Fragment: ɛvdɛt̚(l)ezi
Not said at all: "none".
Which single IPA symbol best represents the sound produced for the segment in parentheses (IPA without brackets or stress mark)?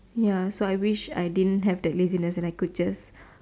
l